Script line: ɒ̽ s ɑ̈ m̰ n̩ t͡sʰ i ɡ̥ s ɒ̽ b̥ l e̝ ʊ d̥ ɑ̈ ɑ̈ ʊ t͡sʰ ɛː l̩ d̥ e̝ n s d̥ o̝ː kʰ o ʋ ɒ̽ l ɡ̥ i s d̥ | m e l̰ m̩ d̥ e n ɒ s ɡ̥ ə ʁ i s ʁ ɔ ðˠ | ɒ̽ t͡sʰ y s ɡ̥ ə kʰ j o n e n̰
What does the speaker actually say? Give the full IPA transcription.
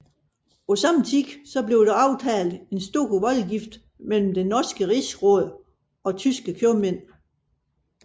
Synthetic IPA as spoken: ɒ̽ s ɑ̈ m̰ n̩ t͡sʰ i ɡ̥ s ɒ̽ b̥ l e̝ ʊ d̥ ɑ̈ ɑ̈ ʊ t͡sʰ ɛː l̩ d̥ e̝ n s d̥ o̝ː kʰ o ʋ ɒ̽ l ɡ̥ i f d̥ | m e l̰ m̩ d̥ e n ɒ s ɡ̥ ə ʁ i s ʁ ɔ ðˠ | ɒ̽ t͡sʰ y s ɡ̥ ə kʰ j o m e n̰